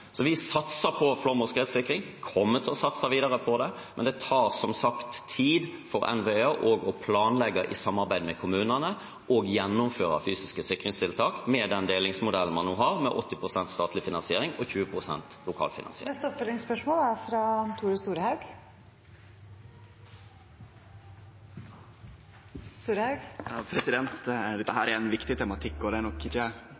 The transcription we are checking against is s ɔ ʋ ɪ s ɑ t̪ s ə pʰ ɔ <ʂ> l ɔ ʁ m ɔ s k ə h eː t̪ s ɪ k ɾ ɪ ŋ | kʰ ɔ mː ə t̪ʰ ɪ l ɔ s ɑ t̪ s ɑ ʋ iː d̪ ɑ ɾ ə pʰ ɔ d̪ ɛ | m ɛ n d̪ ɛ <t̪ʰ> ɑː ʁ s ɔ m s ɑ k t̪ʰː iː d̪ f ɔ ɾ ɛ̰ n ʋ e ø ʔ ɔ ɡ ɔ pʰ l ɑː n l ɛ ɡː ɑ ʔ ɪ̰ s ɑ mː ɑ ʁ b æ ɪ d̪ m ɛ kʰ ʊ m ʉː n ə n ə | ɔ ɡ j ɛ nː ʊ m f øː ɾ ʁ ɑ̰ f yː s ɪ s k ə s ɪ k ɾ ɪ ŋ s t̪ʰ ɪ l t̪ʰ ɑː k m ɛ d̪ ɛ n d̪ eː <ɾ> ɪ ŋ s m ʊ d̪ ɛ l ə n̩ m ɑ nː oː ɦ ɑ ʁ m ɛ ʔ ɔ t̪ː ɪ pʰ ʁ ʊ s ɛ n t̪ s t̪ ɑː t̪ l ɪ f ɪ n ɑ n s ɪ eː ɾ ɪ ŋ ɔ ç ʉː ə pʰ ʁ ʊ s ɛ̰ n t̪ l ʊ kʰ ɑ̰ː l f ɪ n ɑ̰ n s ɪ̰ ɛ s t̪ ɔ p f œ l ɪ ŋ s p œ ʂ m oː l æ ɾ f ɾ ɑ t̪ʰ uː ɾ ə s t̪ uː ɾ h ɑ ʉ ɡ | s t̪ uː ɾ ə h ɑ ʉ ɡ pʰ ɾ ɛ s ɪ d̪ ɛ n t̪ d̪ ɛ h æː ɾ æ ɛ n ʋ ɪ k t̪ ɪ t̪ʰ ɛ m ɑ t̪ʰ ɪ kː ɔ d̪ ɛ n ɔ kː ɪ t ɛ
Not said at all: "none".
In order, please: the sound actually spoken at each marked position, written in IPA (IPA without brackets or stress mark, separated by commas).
f, t̪ʰ, l